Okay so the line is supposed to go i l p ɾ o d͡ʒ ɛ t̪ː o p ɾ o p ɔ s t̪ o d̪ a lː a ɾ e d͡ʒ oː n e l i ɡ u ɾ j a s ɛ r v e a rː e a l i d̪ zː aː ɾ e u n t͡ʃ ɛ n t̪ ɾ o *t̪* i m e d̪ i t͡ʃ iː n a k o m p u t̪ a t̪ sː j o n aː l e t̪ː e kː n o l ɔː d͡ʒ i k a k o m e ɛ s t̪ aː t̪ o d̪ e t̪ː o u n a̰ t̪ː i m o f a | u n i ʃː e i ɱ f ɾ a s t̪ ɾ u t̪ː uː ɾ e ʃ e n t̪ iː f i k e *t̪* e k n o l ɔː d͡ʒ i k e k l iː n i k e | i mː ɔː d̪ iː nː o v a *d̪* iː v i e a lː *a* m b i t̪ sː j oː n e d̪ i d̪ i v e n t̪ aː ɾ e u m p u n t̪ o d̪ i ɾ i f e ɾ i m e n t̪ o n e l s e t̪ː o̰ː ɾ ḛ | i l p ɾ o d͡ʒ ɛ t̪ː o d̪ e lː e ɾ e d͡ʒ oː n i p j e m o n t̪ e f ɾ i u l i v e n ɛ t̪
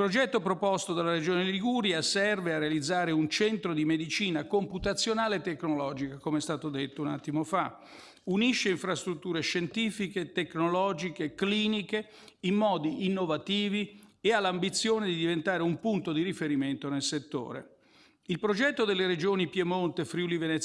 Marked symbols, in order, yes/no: no, yes, no, yes

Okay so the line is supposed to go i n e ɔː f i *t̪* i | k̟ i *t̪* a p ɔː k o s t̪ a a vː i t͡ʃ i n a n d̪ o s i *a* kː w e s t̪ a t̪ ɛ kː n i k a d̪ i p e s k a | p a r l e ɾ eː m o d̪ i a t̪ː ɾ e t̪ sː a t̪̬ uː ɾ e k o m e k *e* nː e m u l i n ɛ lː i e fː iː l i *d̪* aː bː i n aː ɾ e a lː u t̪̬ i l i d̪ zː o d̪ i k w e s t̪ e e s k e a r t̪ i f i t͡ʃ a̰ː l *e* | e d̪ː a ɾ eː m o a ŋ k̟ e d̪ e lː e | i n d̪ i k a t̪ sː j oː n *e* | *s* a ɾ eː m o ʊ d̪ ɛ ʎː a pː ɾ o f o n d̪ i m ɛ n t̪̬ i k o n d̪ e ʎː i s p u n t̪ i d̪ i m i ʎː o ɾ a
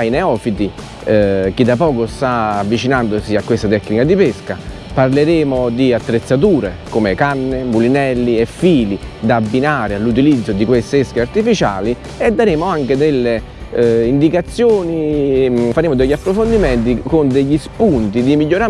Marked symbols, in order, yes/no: yes, no, yes, no, yes, no, no, no

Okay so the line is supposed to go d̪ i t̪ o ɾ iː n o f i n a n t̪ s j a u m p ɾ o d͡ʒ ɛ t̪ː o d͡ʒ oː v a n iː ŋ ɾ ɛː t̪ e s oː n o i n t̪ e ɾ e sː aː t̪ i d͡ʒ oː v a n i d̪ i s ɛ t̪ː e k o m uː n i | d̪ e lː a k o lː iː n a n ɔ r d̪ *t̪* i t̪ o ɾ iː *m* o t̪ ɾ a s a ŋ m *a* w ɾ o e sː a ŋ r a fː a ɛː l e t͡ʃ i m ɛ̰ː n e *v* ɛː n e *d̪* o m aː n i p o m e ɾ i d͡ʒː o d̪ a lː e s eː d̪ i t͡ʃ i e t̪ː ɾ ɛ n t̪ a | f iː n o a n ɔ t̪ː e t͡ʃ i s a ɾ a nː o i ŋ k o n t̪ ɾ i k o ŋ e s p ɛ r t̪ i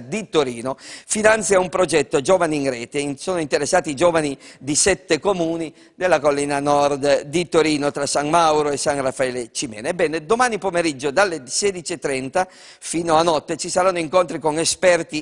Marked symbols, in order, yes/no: no, no, yes, no, yes

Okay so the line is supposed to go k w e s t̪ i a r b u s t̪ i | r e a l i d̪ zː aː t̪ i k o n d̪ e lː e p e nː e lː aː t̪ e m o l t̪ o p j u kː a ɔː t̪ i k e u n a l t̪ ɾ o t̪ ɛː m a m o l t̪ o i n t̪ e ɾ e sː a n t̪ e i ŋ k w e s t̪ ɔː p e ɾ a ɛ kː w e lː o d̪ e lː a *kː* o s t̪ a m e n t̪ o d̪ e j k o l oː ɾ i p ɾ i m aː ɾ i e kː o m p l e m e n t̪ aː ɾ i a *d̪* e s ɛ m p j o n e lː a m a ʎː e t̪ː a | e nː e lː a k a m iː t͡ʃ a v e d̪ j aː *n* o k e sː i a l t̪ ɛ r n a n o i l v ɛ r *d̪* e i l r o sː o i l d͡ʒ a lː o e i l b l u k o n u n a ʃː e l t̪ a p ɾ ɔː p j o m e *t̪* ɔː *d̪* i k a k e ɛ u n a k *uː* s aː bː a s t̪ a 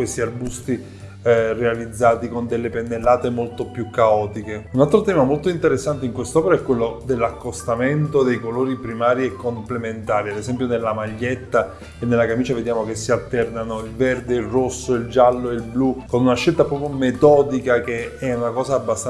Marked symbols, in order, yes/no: yes, yes, no, yes, yes, yes, no

